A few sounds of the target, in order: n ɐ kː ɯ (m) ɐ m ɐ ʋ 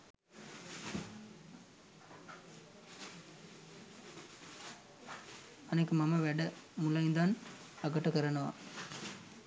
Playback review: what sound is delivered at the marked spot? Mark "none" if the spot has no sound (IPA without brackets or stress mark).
m